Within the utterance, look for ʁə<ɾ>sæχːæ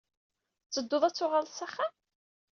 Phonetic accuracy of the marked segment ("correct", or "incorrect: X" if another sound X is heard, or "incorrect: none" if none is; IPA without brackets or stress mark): incorrect: l